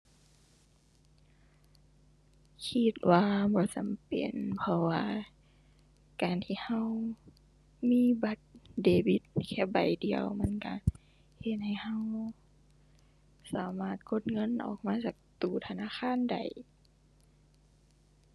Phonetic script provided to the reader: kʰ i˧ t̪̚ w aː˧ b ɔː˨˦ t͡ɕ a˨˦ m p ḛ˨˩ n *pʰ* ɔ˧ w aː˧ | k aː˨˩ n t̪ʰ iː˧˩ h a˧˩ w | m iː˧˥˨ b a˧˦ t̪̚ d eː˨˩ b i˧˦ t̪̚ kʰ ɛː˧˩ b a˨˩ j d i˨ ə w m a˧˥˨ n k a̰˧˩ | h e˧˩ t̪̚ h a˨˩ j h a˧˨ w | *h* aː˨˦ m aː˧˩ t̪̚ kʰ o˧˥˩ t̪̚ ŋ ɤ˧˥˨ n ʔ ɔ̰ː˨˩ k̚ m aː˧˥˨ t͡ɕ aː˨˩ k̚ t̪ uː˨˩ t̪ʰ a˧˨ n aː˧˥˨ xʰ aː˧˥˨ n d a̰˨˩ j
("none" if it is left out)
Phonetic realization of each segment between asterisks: pʰ, s

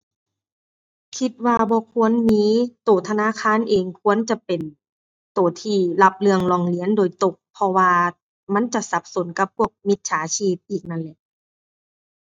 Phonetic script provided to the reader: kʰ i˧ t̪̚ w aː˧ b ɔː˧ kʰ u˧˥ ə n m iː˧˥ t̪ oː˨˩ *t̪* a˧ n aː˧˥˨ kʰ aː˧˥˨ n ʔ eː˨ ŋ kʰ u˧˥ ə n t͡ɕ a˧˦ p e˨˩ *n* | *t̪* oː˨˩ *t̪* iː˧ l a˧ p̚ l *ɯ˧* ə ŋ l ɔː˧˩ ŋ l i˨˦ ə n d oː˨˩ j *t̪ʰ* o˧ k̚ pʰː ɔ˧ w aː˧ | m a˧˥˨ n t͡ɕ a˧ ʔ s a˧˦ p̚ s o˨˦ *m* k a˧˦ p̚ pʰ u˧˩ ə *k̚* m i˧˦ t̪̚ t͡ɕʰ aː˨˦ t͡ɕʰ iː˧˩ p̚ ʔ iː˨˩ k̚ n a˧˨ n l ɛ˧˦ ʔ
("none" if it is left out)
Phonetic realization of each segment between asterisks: t̪ʰ, n, t̪, t̪ʰ, ɯ˧, t̪, n, k̚

